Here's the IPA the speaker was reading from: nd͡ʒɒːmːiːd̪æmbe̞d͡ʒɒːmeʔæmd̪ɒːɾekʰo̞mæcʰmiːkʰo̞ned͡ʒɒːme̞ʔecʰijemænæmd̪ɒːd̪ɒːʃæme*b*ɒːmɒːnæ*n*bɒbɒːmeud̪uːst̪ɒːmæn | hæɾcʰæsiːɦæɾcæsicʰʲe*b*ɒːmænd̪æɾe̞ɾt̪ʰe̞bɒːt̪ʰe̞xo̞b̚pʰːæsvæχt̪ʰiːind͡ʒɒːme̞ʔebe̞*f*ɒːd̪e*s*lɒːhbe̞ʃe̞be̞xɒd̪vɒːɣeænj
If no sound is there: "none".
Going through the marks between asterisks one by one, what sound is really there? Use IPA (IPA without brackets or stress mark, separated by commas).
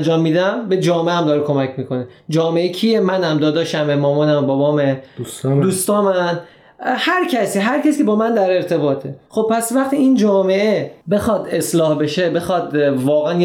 m, m, b, x, s